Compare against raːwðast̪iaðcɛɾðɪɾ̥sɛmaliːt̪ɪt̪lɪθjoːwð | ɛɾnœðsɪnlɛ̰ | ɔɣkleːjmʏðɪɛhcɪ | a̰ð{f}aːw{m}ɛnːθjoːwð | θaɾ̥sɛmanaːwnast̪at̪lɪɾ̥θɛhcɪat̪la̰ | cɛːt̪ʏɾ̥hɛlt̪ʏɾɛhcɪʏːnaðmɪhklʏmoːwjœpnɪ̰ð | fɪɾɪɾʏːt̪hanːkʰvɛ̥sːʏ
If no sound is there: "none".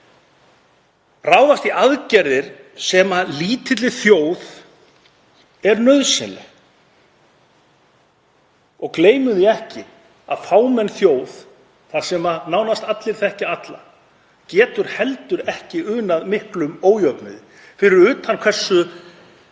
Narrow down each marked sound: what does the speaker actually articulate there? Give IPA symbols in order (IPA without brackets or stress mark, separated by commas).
f, m